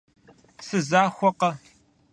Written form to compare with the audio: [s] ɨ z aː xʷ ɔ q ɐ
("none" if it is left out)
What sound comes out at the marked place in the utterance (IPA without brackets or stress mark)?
s